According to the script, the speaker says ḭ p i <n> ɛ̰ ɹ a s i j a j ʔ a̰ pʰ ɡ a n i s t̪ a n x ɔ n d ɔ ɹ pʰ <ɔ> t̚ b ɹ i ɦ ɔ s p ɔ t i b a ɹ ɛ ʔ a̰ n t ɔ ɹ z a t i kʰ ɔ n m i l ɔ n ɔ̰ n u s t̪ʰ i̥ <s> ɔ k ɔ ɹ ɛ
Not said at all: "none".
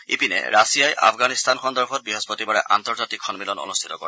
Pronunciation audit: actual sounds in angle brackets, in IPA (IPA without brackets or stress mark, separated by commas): n, ɔ, t